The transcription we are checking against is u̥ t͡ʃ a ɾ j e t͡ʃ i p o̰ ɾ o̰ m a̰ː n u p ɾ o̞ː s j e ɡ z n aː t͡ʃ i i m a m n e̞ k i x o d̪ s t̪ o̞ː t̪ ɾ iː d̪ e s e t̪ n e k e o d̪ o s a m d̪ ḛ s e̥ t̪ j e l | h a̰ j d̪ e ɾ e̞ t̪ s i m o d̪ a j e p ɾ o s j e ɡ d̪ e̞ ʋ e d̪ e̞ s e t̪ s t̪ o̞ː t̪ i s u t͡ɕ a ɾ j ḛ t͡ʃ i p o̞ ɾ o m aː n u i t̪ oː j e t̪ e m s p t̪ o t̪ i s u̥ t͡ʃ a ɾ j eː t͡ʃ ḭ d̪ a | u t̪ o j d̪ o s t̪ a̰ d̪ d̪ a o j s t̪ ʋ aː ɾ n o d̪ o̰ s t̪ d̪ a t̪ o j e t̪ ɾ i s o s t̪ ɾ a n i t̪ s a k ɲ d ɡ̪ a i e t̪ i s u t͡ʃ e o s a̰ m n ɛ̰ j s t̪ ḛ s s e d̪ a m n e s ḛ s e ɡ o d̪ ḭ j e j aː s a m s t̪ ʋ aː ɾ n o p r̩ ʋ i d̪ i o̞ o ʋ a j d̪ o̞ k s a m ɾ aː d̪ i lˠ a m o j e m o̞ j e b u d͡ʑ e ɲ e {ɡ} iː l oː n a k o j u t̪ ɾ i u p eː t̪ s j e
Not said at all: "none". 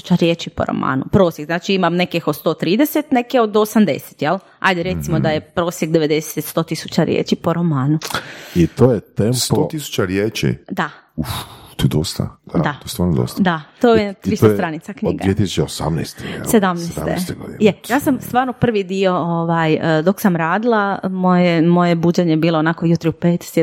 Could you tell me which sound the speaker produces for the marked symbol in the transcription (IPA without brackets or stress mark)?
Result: b